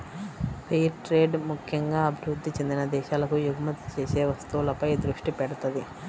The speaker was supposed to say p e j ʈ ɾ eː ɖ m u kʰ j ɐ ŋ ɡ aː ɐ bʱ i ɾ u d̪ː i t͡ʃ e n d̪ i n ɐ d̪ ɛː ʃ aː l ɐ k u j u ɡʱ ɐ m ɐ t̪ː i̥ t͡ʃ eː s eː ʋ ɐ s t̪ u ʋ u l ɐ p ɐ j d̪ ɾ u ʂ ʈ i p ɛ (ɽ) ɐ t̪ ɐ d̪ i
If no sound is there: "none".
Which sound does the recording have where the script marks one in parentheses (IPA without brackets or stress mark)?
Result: ɽ